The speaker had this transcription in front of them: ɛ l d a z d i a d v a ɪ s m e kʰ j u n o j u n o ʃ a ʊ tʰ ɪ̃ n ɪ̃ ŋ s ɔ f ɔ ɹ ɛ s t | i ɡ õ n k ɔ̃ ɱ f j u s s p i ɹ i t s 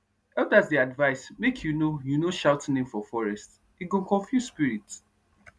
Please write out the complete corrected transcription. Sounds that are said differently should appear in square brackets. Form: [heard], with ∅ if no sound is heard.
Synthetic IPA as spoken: ɛ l d a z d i a d v a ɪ s m e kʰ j u n o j u n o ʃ a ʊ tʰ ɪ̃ n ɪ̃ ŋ [f] ɔ f ɔ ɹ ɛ s t | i ɡ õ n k ɔ̃ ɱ f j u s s p i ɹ i t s